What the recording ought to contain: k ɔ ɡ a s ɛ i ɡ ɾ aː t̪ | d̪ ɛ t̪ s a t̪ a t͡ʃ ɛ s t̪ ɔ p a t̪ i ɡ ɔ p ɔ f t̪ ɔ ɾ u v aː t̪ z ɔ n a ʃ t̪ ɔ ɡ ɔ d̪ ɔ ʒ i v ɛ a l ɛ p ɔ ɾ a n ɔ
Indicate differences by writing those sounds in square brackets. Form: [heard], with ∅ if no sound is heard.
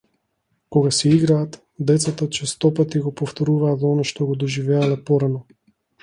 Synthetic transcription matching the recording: k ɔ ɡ a s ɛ i ɡ ɾ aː t̪ | d̪ ɛ t̪ s a t̪ a t͡ʃ ɛ s t̪ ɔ p a t̪ i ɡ ɔ p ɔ f t̪ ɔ ɾ u v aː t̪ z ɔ n a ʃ t̪ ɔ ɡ ɔ d̪ ɔ ʒ i v ɛ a l ɛ p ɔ ɾ a n ɔ